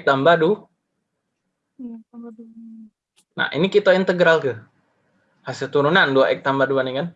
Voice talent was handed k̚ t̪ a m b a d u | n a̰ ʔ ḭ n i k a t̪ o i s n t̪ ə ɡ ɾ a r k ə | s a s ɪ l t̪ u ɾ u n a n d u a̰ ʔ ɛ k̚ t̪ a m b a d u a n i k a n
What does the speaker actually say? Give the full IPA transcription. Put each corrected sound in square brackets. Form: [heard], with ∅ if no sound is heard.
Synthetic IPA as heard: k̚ t̪ a m b a d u | n a̰ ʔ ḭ n i k [i] t̪ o i [∅] n t̪ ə ɡ ɾ a [l] k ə | [h] a s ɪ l t̪ u ɾ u n a n d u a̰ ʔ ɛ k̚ t̪ a m b a d u a n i k a n

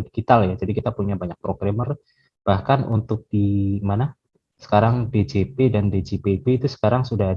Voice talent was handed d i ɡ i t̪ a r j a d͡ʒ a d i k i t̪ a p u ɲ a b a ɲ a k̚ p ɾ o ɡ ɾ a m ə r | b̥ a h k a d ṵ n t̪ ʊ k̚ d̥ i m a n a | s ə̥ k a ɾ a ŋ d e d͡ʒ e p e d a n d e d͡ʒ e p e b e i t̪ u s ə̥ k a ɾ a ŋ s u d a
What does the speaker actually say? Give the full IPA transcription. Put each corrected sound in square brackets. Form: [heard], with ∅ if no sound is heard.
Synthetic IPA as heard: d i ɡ i t̪ a [l] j a d͡ʒ a d i k i t̪ a p u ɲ a b a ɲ a k̚ p ɾ o ɡ ɾ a m ə r | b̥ a h k a [n] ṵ n t̪ ʊ k̚ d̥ i m a n a | s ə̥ k a ɾ a ŋ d e d͡ʒ e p e d a n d e d͡ʒ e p e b e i t̪ u s ə̥ k a ɾ a ŋ s u d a

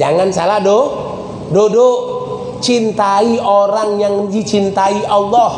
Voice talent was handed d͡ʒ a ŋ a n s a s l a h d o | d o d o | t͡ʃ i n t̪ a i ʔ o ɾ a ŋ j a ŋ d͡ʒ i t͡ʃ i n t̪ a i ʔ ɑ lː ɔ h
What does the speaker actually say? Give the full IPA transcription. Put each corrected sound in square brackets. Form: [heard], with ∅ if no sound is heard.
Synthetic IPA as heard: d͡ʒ a ŋ a n s a [∅] l a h d o | d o d o | t͡ʃ i n t̪ a i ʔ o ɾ a ŋ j a ŋ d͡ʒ i t͡ʃ i n t̪ a i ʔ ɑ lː ɔ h

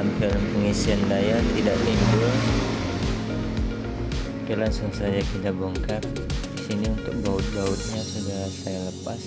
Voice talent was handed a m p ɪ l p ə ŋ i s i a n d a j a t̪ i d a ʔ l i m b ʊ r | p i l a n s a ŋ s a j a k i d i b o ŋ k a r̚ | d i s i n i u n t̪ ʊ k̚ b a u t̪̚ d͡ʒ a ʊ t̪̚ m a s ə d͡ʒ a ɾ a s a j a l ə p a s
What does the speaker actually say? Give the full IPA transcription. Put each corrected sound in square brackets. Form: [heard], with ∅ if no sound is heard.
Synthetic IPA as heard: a m p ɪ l p ə ŋ i s i a n d a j a t̪ i d a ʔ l i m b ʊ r | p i l a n s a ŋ s a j a k i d [a] b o ŋ k a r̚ | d i s i n i u n t̪ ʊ k̚ b a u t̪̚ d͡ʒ a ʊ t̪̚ [ɲ] a s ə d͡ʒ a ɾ a s a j a l ə p a s

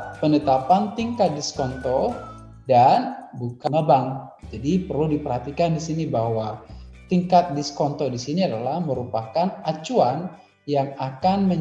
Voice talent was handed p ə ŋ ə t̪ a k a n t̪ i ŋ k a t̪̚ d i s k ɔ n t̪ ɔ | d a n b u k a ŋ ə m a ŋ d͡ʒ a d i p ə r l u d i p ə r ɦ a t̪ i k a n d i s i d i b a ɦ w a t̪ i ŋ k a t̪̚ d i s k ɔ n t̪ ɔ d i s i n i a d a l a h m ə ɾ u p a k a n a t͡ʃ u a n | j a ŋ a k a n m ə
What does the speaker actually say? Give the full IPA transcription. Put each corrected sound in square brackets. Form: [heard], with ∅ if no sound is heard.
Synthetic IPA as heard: p ə [n] ə t̪ a [p] a n t̪ i ŋ k a t̪̚ d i s k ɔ n t̪ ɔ | d a n b u k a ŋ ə [b] a ŋ d͡ʒ a d i p ə r l u d i p ə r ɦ a t̪ i k a n d i s i [n] i b a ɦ w a t̪ i ŋ k a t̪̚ d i s k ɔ n t̪ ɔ d i s i n i a d a l a h m ə ɾ u p a k a n a t͡ʃ u a n | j a ŋ a k a n m ə

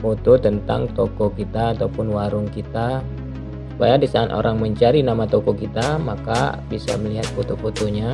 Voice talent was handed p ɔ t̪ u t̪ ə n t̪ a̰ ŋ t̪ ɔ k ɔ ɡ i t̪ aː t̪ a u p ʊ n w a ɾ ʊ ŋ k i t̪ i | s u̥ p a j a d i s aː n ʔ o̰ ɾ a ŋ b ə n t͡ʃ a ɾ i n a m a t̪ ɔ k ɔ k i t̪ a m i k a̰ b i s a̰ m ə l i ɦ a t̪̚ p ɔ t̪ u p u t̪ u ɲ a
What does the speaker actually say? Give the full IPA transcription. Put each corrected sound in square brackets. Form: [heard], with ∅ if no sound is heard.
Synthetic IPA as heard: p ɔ t̪ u t̪ ə n t̪ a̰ ŋ t̪ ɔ k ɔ [k] i t̪ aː t̪ a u p ʊ n w a ɾ ʊ ŋ k i t̪ [a] | s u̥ p a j a d i s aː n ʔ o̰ ɾ a ŋ [m] ə [ɲ] t͡ʃ a ɾ i n a m a t̪ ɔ k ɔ k i t̪ a m [a] k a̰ b i s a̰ m ə l i ɦ a t̪̚ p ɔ t̪ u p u t̪ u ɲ a

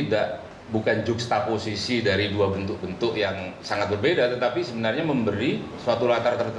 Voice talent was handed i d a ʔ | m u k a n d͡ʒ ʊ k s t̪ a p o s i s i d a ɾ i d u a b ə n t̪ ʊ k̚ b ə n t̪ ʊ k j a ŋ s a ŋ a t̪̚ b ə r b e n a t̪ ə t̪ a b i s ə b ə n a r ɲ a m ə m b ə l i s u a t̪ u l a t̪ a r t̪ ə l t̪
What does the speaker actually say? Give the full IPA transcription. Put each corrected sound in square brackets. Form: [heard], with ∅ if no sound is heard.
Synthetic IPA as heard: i d a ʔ | [b] u k a n d͡ʒ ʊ k s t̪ a p o s i s i d a ɾ i d u a b ə n t̪ ʊ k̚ b ə n t̪ ʊ k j a ŋ s a ŋ a t̪̚ b ə r b e [d] a t̪ ə t̪ a [p] i s ə b ə n a r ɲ a m ə m b ə [ɾ] i s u a t̪ u l a t̪ a r t̪ ə [r] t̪

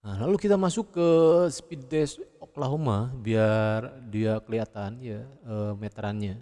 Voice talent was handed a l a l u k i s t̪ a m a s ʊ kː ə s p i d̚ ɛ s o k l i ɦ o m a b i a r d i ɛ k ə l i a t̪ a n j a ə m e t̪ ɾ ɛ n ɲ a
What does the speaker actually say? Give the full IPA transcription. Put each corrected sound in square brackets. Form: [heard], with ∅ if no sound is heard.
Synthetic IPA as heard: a l a l u k i [∅] t̪ a m a s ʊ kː ə s p i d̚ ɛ s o k l [a] ɦ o m a b i a r d i [a] k ə l i a t̪ a n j a ə m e t̪ ɾ [a] n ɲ a

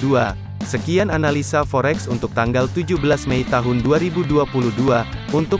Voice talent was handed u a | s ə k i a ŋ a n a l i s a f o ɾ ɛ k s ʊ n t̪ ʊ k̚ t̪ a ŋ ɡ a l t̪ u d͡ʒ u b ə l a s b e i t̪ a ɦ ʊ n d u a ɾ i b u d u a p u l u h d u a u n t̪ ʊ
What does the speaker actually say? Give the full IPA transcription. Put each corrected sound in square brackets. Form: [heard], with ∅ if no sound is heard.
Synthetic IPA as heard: u a | s ə k i a [n] a n a l i s a f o ɾ ɛ k s [u] n t̪ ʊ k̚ t̪ a ŋ ɡ a l t̪ u d͡ʒ u b ə l a s [m] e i t̪ a ɦ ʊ n d u a ɾ i b u d u a p u l u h d u a u n t̪ ʊ

